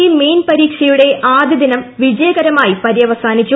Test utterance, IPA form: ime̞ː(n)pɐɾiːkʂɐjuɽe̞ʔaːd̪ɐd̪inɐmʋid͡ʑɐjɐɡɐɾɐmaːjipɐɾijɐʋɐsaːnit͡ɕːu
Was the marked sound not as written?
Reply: no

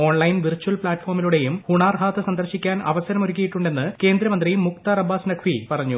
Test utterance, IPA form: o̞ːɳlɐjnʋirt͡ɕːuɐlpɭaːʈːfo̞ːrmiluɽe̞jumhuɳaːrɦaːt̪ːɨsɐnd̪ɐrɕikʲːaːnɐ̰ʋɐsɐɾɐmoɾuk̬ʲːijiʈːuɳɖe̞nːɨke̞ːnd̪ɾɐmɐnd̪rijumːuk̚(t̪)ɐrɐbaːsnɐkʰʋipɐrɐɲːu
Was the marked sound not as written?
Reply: no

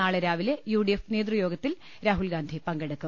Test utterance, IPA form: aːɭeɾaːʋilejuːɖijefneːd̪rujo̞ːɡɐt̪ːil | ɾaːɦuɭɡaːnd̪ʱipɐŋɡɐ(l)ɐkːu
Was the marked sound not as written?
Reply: yes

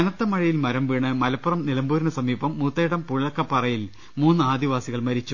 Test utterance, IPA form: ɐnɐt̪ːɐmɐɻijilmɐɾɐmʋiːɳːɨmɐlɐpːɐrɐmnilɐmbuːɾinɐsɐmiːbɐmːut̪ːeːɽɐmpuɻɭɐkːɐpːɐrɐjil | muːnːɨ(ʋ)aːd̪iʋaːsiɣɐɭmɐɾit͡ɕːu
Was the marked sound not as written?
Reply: yes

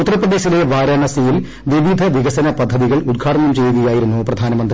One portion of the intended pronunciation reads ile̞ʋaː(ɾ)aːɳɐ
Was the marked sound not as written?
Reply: no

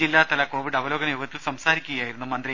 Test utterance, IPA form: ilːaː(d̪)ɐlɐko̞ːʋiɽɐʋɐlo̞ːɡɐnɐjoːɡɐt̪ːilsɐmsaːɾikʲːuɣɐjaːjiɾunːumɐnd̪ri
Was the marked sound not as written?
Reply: yes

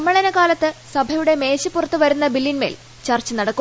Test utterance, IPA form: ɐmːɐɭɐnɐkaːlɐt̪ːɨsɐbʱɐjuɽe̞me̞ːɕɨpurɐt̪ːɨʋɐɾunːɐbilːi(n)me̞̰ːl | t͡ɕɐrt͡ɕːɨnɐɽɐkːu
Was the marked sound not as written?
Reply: no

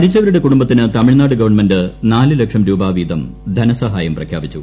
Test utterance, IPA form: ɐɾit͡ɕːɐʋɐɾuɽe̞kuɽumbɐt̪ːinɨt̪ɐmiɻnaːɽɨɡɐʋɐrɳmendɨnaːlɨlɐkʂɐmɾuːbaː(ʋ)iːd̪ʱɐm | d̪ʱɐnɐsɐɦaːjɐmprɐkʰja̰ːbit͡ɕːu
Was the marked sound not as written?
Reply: no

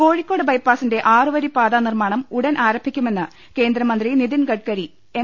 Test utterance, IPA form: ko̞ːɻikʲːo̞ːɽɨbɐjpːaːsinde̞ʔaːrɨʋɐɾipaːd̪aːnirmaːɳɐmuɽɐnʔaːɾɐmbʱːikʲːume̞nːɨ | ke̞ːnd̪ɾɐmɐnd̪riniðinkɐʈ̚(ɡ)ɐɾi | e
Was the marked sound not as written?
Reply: yes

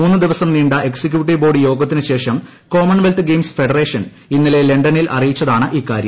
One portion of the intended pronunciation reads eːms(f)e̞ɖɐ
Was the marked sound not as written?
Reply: no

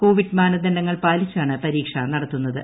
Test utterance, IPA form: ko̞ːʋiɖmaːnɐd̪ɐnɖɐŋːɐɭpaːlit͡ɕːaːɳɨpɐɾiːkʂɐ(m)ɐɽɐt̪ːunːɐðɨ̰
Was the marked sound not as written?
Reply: yes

